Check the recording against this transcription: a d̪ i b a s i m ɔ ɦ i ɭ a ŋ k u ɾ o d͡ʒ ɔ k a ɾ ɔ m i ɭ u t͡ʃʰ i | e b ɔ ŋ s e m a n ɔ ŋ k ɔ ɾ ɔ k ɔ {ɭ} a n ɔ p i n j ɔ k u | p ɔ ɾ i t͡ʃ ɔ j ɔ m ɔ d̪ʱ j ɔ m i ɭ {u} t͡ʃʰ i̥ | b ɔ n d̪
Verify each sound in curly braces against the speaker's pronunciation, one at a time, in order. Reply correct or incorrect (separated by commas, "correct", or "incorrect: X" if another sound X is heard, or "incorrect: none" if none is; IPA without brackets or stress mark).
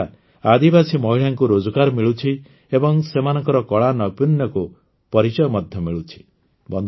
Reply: correct, correct